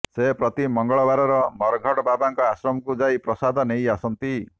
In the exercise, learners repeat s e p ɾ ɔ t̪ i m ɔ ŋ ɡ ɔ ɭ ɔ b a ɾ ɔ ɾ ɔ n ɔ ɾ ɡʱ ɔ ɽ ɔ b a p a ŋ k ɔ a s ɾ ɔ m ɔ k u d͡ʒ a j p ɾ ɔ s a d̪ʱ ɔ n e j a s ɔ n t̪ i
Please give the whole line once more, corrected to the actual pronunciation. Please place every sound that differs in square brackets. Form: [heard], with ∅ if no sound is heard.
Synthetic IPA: s e p ɾ ɔ t̪ i m ɔ ŋ ɡ ɔ ɭ ɔ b a ɾ ɔ ɾ ɔ [m] ɔ ɾ ɡʱ ɔ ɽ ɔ b a [b] a ŋ k ɔ a s ɾ ɔ m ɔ k u d͡ʒ a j p ɾ ɔ s a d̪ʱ ɔ n e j a s ɔ n t̪ i